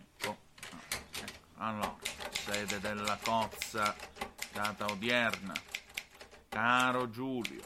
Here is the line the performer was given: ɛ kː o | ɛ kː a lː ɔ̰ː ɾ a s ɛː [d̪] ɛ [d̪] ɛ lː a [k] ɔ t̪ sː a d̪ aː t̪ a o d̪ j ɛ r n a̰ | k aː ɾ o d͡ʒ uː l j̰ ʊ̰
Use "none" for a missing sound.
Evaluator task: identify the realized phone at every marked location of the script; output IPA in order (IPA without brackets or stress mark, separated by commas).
d̪, d̪, k